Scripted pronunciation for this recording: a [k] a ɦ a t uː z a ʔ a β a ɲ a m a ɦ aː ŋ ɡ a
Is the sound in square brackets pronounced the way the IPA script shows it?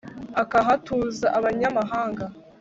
yes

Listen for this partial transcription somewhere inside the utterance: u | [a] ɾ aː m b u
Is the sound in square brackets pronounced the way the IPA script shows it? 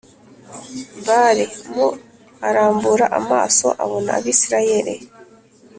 yes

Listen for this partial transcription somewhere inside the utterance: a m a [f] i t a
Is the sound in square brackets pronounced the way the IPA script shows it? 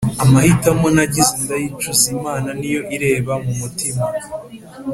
no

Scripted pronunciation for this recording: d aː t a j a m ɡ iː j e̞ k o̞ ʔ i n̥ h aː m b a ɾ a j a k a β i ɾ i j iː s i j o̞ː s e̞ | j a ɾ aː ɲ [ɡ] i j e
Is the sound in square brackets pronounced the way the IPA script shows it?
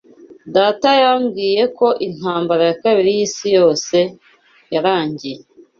no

